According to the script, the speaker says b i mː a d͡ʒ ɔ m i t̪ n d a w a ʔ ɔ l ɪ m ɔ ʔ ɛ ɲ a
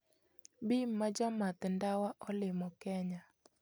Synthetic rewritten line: b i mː a d͡ʒ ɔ m a t̪ n d a w a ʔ ɔ l ɪ m ɔ k ɛ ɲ a